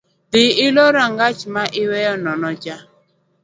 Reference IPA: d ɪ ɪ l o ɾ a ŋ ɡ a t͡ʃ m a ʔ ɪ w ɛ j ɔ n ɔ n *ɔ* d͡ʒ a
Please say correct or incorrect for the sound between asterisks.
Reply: correct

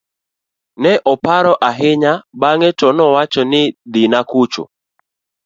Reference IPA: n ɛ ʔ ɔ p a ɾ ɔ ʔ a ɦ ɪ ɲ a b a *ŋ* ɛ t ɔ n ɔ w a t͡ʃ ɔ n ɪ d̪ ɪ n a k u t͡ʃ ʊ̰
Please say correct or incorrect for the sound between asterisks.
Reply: correct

